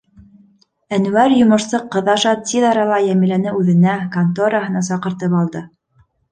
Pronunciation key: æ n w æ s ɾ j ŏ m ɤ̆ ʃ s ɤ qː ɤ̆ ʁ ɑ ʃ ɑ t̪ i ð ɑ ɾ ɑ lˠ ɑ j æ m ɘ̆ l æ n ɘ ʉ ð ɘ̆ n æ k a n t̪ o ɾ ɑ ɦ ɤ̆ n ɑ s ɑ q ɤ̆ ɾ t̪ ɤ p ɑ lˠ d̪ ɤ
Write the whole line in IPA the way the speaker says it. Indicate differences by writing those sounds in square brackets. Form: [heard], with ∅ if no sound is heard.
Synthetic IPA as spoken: æ n w æ [∅] ɾ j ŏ m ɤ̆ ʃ s ɤ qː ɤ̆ [ð] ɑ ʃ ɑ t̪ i ð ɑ ɾ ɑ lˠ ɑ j æ m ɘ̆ l æ n ɘ ʉ ð ɘ̆ n æ k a n t̪ o ɾ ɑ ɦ ɤ̆ n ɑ s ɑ q ɤ̆ ɾ t̪ ɤ p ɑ lˠ d̪ ɤ